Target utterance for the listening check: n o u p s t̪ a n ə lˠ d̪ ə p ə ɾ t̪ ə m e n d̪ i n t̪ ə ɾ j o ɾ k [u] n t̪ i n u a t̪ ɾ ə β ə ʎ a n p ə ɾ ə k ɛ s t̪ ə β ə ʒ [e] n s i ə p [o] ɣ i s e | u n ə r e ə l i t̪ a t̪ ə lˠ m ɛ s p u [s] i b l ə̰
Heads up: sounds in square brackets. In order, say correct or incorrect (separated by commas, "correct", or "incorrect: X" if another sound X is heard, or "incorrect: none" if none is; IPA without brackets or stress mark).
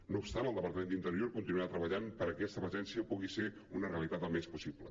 correct, incorrect: ɛ, incorrect: u, correct